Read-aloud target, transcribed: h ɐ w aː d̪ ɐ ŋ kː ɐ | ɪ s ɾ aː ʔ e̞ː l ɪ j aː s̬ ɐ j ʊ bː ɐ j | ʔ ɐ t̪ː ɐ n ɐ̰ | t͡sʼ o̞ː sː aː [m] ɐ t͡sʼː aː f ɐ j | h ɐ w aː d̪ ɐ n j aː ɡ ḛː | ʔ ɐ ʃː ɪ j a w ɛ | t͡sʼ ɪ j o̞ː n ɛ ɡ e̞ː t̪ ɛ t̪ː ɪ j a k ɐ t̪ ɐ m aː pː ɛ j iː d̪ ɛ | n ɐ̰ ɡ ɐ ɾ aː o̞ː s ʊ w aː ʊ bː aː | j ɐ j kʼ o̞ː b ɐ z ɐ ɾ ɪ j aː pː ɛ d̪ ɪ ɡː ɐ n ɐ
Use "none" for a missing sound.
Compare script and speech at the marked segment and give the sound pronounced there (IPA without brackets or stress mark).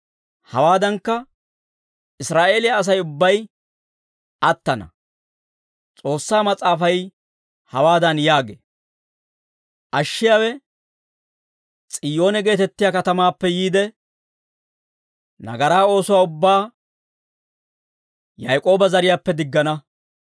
m